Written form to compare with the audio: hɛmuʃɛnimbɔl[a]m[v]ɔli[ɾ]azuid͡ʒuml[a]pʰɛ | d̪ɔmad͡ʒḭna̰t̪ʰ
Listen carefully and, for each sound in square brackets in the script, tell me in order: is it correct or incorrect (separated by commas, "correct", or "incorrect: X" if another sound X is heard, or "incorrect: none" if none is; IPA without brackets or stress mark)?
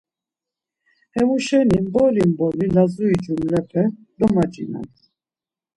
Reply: incorrect: i, incorrect: b, incorrect: l, incorrect: ɛ